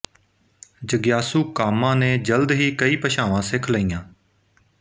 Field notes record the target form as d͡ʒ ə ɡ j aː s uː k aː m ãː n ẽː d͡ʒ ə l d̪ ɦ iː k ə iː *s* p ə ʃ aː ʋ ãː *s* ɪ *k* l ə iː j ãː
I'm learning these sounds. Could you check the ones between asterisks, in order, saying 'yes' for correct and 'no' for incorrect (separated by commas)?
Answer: no, yes, no